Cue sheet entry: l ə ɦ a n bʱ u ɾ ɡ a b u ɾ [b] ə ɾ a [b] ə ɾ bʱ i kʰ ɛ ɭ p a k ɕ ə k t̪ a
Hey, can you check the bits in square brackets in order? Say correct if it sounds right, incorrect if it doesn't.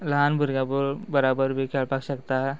correct, correct

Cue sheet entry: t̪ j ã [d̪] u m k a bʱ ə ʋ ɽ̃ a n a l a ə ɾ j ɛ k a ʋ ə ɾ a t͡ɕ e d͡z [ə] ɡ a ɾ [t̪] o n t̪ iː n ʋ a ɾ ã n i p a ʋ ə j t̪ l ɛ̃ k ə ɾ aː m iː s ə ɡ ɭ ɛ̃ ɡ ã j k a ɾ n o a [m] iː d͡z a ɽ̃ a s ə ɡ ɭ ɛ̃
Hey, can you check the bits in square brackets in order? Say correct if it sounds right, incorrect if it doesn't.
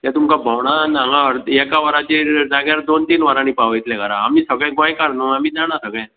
incorrect: t̪, incorrect: a, incorrect: d̪, correct

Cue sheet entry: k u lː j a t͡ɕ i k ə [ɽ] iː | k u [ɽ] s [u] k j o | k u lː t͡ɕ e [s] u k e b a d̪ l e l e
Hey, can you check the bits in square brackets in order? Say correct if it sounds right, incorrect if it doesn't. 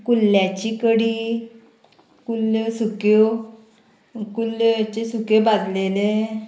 correct, incorrect: l, correct, correct

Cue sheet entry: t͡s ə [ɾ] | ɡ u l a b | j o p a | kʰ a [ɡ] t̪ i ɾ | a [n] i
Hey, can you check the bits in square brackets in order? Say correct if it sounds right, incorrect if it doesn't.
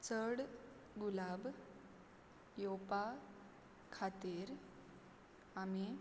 incorrect: ɽ, incorrect: none, incorrect: m

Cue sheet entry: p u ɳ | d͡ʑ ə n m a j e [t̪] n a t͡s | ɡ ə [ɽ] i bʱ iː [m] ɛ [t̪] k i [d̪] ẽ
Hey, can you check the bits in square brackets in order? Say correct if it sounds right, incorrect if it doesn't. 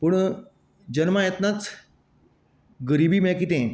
correct, incorrect: ɾ, correct, incorrect: none, incorrect: t̪

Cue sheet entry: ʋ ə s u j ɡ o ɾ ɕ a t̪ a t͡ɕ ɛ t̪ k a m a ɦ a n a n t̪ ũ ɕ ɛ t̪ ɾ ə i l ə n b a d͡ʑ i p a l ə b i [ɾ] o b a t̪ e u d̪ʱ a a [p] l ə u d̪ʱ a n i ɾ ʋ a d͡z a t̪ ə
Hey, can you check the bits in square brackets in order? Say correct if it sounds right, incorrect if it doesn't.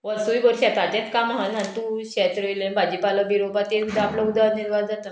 correct, correct

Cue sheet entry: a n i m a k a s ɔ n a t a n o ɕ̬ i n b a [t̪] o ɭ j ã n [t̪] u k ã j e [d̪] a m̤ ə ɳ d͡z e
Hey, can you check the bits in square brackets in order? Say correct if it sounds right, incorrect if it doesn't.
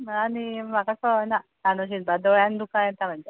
incorrect: d̪, incorrect: d̪, incorrect: t̪

